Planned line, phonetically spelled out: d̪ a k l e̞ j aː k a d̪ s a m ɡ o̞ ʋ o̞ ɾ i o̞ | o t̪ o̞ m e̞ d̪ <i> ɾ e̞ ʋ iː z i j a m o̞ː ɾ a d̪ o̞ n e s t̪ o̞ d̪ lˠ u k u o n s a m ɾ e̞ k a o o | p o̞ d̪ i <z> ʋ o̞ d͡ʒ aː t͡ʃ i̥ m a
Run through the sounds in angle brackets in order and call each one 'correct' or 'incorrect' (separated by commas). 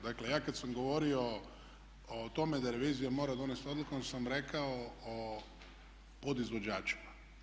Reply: incorrect, correct